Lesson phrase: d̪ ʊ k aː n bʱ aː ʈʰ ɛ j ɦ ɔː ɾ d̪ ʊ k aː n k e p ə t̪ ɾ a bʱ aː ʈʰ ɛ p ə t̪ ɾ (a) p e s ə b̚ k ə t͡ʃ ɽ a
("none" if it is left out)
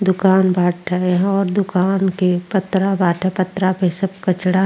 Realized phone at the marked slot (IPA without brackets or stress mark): a